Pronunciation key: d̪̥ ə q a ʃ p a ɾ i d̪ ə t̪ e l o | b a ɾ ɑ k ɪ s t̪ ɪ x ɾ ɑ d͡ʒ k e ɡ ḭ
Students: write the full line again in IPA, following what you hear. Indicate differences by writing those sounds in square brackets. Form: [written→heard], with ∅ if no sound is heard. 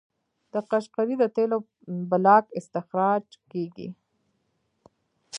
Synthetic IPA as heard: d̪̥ ə q a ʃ [p→q] a ɾ i d̪ ə t̪ e l o | b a [ɾ→l] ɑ k ɪ s t̪ ɪ x ɾ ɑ d͡ʒ k e ɡ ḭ